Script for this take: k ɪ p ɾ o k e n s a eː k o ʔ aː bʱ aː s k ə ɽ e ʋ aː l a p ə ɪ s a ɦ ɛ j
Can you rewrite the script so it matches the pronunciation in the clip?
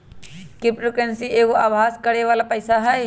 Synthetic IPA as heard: k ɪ p ɾ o k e n s i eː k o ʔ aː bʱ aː s k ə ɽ e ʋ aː l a p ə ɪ s a ɦ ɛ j